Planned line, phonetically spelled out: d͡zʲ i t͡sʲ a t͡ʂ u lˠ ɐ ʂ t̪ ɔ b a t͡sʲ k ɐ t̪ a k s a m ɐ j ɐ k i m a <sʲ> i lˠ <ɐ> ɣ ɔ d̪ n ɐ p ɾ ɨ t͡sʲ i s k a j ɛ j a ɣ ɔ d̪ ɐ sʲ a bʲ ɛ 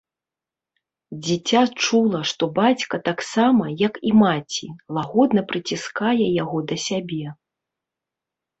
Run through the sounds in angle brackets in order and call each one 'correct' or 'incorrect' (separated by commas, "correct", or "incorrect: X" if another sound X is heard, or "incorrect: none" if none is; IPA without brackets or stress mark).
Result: incorrect: t͡sʲ, incorrect: a